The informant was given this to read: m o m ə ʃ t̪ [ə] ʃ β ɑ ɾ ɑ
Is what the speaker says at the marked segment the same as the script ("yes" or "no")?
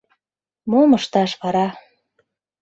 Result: no